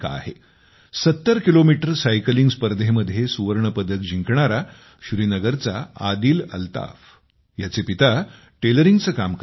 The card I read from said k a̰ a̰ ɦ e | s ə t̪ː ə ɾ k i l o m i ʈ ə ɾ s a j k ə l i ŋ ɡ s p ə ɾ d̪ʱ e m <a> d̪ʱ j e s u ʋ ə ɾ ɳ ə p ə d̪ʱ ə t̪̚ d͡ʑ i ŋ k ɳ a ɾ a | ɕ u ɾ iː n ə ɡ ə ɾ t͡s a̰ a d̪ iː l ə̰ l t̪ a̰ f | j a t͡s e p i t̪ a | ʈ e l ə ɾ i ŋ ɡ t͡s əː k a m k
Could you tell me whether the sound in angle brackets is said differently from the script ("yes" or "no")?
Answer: yes